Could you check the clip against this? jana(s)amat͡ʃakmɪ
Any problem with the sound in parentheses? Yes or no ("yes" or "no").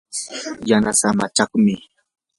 no